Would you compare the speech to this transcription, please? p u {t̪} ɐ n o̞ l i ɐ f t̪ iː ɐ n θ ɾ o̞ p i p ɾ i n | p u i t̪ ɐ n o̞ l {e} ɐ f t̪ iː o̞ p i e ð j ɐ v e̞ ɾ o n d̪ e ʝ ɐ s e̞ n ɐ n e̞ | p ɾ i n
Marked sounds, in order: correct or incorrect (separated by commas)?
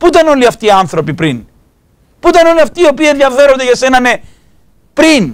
correct, incorrect